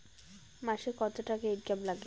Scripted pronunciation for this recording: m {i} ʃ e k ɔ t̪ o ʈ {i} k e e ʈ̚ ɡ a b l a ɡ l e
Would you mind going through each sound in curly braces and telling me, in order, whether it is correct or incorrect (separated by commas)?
incorrect, incorrect